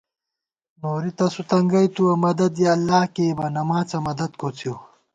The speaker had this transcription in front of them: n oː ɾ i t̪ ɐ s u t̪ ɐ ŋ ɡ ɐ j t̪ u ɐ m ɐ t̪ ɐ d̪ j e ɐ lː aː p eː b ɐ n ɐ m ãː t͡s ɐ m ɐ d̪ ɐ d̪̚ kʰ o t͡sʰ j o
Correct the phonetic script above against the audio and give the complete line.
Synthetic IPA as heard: n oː ɾ i t̪ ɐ s u t̪ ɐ ŋ ɡ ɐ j t̪ u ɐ m ɐ d̪ ɐ d̪ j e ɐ lː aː k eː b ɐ n ɐ m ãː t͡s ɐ m ɐ d̪ ɐ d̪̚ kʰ o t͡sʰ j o